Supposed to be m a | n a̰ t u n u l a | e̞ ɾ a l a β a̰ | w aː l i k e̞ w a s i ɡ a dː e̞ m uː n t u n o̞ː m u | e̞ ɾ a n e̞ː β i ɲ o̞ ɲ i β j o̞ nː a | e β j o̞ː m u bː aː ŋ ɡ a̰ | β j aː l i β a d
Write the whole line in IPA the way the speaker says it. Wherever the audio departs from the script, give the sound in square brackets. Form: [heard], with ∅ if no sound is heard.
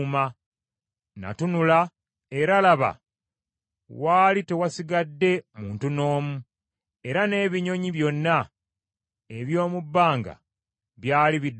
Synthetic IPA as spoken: m a | n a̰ t u n u l a | e̞ ɾ a l a β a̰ | w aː l i [t] e̞ w a s i ɡ a dː e̞ m uː n t u n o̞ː m u | e̞ ɾ a n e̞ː β i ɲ o̞ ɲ i β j o̞ nː a | e β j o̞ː m u bː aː ŋ ɡ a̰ | β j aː l i β [i] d